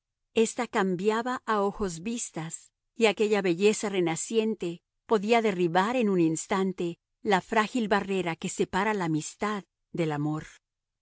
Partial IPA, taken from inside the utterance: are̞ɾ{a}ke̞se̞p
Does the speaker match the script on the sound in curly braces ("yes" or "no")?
yes